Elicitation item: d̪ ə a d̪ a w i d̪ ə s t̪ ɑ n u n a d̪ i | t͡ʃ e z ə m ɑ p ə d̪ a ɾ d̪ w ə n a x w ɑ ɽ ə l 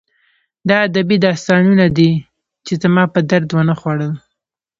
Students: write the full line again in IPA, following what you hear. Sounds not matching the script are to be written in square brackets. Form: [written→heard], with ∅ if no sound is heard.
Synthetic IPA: d̪ [ə→ɑ] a d̪ a [w→b] i d̪ [ə→ɑ] s t̪ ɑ n u n a d̪ i | t͡ʃ e z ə m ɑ p ə d̪ a ɾ d̪ w ə n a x w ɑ ɽ ə l